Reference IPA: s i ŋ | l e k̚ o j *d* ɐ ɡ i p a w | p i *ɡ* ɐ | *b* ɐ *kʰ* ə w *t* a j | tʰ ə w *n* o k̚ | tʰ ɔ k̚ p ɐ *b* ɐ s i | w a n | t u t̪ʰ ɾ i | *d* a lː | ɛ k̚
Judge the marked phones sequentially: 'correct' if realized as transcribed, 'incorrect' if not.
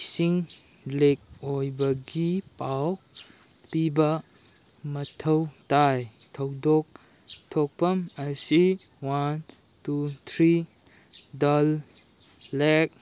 incorrect: b, incorrect: b, incorrect: m, incorrect: tʰ, correct, incorrect: d, incorrect: m, correct

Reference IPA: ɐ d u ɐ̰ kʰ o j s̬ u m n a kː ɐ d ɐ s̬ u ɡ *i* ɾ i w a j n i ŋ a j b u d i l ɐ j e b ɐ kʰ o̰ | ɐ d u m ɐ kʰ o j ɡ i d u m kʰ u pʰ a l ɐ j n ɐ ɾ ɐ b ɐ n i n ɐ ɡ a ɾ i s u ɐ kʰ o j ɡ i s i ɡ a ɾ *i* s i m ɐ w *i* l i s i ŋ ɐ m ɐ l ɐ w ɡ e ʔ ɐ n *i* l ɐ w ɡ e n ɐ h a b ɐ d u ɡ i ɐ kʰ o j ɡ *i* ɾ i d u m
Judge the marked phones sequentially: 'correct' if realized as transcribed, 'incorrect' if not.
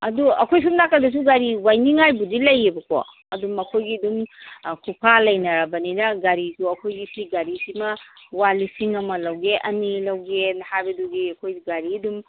incorrect: a, correct, incorrect: a, correct, incorrect: a

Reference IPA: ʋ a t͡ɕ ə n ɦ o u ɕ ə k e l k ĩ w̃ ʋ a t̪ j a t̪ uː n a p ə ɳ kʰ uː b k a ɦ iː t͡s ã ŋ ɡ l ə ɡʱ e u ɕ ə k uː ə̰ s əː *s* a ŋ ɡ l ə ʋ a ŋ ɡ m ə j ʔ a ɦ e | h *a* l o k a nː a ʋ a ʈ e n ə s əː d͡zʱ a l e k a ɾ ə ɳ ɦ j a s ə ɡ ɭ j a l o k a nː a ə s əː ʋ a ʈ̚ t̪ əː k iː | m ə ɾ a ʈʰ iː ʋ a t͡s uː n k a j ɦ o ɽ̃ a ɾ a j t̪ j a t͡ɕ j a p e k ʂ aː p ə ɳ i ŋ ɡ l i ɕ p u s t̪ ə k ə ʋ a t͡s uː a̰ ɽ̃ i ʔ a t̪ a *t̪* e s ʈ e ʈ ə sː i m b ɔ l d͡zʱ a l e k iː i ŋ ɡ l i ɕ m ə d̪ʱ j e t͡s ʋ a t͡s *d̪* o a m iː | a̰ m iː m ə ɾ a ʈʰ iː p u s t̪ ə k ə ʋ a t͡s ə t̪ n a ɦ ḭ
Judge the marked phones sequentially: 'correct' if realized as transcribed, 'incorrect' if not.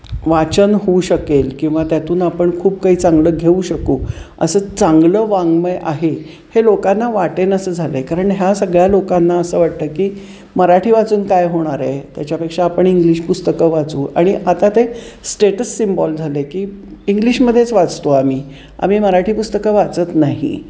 incorrect: t͡s, incorrect: e, correct, incorrect: t̪

